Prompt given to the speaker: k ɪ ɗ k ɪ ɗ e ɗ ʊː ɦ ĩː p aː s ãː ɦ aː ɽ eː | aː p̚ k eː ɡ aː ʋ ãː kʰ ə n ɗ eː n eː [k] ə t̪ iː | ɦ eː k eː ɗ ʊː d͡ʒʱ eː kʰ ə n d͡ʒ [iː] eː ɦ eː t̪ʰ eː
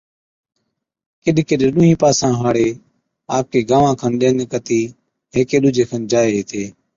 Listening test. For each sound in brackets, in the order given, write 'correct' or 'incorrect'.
correct, incorrect: aː

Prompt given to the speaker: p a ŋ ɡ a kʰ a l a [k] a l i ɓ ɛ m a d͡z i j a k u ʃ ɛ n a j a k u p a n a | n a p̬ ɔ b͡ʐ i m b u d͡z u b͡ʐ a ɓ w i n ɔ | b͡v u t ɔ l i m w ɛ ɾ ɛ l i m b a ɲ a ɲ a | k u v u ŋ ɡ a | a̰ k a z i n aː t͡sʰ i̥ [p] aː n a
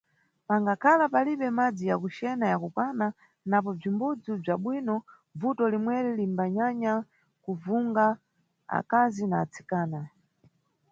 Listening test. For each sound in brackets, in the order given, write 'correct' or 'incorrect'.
incorrect: p, incorrect: k

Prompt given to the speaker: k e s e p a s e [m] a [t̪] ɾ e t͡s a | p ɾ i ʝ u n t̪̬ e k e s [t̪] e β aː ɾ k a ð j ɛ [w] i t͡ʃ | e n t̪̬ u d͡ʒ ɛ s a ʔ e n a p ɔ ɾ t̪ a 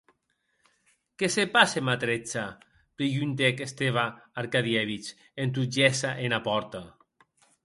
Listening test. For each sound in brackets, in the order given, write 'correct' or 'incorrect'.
correct, correct, correct, incorrect: β

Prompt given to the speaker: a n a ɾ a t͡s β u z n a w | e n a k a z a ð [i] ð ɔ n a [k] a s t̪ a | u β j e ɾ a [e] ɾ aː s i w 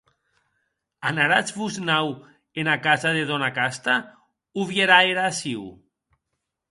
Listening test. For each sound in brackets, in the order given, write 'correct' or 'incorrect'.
incorrect: e, correct, correct

